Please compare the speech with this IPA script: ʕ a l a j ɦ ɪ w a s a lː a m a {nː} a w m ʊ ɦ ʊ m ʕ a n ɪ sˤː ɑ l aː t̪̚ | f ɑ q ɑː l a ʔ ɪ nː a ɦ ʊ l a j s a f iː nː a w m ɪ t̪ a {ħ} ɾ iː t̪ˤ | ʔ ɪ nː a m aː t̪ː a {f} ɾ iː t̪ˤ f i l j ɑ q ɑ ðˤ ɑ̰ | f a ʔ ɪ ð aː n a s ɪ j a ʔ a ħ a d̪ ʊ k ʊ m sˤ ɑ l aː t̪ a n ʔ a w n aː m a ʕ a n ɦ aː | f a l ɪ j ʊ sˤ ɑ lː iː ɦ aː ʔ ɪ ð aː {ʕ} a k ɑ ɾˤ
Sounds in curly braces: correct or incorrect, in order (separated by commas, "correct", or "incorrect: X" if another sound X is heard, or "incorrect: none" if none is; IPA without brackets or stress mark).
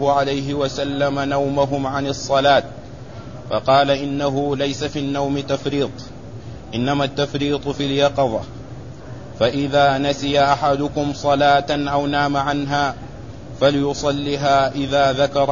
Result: incorrect: n, incorrect: f, correct, incorrect: ð